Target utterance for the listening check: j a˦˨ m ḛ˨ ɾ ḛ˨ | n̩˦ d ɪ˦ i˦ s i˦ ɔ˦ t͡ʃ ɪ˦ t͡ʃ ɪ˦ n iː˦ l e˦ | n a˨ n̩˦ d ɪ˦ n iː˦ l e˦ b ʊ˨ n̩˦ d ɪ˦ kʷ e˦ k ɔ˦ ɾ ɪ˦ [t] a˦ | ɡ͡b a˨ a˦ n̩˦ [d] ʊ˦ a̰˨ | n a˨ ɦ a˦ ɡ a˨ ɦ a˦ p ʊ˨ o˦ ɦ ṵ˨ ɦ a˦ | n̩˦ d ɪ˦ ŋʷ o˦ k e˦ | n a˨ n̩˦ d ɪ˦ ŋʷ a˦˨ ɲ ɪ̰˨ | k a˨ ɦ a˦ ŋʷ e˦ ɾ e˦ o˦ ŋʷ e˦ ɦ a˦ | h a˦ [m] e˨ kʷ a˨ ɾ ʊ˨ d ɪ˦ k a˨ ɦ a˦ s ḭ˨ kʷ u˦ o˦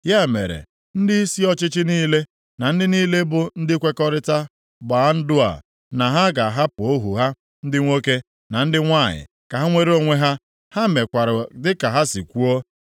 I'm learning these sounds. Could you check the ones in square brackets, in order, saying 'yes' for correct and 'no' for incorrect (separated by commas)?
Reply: yes, yes, yes